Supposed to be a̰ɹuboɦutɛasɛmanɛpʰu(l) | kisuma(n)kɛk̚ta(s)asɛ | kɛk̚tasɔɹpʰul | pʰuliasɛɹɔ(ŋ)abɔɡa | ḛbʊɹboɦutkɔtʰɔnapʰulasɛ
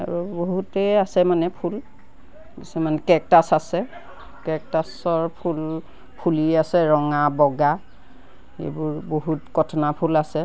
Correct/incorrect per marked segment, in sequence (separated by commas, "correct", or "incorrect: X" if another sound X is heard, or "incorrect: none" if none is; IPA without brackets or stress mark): correct, correct, correct, correct